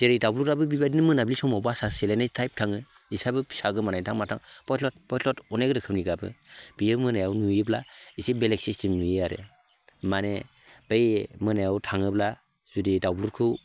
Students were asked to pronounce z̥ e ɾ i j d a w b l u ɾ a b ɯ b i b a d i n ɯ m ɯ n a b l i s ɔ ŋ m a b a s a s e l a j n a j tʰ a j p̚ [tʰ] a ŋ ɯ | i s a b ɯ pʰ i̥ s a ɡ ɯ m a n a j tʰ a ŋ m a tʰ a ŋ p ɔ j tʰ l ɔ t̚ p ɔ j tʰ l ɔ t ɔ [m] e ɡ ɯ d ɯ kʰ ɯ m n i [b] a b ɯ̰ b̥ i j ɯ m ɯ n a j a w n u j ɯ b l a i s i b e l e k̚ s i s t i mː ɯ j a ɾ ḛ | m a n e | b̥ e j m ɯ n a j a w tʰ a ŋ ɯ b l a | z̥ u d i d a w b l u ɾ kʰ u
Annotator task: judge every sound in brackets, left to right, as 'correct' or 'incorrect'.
correct, incorrect, incorrect

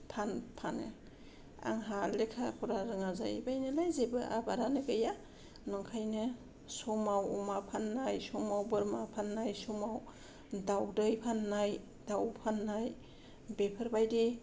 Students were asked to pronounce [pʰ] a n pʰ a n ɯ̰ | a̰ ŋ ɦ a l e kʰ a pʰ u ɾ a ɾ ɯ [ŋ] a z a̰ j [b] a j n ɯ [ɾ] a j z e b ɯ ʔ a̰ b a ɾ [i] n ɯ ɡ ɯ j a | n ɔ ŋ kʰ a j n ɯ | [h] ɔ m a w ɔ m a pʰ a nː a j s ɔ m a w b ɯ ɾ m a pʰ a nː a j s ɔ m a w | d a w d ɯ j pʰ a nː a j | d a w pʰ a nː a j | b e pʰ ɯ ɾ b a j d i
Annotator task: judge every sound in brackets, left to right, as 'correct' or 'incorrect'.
correct, correct, correct, incorrect, incorrect, incorrect

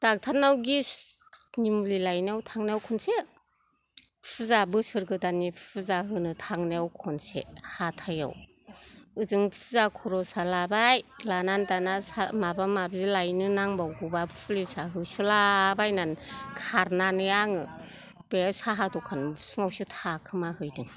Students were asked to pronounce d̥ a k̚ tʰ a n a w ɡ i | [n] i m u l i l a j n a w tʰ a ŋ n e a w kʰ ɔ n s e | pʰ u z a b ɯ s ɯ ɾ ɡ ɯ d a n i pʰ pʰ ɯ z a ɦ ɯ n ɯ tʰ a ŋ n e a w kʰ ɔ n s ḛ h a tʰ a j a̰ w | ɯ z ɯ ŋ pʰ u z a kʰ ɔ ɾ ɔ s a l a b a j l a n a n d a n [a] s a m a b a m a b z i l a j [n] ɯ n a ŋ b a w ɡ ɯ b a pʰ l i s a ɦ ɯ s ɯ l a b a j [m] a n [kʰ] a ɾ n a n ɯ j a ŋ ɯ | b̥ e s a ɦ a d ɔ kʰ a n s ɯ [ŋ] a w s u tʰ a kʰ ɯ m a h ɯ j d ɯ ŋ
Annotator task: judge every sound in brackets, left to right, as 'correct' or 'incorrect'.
correct, correct, correct, incorrect, correct, correct

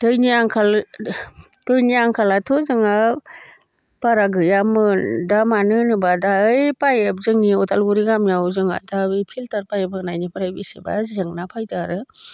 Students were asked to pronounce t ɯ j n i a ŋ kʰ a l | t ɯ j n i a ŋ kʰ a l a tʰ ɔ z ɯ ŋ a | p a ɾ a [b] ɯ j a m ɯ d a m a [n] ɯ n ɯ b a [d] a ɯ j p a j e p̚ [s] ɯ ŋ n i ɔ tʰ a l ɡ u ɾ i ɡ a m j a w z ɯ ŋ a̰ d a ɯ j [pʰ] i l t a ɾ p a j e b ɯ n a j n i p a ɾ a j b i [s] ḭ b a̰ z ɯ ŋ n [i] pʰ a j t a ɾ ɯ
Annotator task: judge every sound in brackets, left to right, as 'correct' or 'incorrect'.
incorrect, correct, correct, incorrect, correct, correct, incorrect

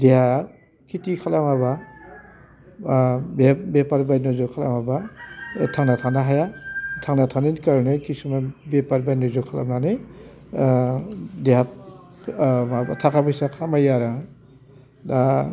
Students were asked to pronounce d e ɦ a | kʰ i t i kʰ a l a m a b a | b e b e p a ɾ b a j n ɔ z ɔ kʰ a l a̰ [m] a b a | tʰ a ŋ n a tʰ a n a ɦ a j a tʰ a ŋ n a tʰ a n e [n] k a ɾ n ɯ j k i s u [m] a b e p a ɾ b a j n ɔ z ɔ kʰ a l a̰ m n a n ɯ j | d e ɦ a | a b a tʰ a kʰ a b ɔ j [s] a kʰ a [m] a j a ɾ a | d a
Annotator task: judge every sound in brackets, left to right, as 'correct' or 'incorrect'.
correct, correct, correct, correct, correct

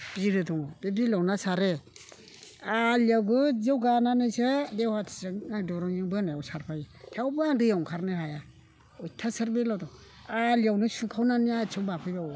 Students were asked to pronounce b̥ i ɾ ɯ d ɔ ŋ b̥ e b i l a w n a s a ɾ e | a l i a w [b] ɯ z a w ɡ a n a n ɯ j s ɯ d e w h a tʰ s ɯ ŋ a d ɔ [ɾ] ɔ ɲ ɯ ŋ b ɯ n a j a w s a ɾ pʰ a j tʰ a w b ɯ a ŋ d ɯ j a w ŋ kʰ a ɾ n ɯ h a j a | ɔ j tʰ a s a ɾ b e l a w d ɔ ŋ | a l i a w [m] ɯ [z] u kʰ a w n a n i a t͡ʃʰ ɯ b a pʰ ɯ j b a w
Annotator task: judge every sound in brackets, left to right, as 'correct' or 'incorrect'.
incorrect, correct, incorrect, incorrect

